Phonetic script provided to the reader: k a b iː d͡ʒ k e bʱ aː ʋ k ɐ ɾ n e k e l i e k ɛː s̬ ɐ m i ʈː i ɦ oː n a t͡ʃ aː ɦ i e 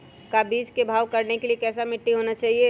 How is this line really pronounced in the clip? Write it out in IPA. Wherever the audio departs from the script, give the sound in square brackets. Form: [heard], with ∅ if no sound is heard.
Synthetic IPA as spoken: k a b iː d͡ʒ k e bʱ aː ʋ k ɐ ɾ n e k e l i e k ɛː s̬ [a] m [ɪ] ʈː i ɦ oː n a t͡ʃ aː ɦ i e